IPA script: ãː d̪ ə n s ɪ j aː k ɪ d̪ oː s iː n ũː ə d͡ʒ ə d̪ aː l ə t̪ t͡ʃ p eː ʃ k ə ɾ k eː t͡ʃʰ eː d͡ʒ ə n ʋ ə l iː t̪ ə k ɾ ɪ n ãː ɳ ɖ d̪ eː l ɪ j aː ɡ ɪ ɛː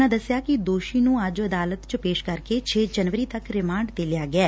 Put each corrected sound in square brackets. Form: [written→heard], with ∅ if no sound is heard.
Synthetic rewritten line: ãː d̪ ə [n→∅] s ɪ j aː k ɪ d̪ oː [s→ʃ] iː n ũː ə d͡ʒ ə d̪ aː l ə t̪ t͡ʃ p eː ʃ k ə ɾ k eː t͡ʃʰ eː d͡ʒ ə n ʋ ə [l→ɾ] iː t̪ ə k ɾ ɪ [n→m] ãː ɳ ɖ d̪ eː l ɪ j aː ɡ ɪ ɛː